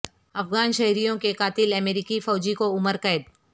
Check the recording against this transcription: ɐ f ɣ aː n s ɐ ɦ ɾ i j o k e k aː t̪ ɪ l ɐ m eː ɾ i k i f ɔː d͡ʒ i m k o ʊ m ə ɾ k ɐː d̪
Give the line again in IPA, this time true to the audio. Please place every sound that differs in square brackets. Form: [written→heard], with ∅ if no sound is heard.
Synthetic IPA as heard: ɐ f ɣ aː n [s→ʃ] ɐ ɦ ɾ i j [o→õ] k e k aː t̪ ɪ l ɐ m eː ɾ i k i f ɔː d͡ʒ i [m→∅] k o ʊ m ə ɾ k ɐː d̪